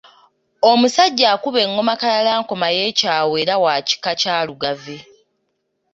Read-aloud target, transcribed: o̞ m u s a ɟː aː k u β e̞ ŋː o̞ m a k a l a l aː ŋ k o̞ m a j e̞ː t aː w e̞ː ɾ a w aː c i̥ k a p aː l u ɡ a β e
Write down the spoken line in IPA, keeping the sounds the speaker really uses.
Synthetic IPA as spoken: o̞ m u s a ɟː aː k u β e̞ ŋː o̞ m a k a l a l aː ŋ k o̞ m a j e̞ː c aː w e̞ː ɾ a w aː c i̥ k a c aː l u ɡ a v e